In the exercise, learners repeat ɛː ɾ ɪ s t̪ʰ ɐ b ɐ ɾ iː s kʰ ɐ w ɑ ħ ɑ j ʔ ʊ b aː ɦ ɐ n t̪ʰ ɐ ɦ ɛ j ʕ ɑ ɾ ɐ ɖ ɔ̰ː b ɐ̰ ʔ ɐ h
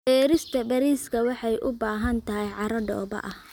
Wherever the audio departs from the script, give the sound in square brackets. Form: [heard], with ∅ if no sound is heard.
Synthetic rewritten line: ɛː ɾ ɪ s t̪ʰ ɐ b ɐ ɾ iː s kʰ ɐ w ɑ ħ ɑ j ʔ ʊ b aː ɦ ɐ n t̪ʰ ɐ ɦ ɛ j ʕ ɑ ɾ ɐ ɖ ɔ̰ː b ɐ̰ ʔ ɐ h